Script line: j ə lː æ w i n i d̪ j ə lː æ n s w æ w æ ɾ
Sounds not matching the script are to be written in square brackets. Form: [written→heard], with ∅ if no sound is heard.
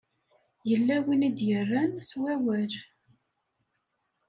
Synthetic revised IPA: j ə lː æ w i n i d̪ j ə [lː→rː] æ n s w æ w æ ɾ